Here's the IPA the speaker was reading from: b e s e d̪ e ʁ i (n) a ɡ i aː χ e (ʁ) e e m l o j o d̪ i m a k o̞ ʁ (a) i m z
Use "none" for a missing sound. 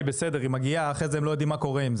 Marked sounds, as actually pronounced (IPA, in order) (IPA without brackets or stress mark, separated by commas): m, z, e